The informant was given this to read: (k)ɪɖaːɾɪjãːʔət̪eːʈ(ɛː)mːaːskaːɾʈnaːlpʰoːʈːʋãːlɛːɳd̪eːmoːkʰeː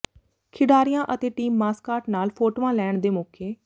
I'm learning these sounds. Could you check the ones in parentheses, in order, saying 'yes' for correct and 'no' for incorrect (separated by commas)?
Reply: no, no